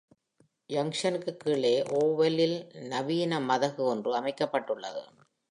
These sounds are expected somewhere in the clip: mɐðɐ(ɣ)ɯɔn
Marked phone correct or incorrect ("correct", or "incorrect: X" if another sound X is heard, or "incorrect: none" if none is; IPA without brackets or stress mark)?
correct